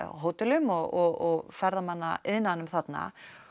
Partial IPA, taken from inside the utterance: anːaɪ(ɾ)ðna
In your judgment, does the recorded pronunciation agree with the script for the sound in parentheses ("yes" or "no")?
no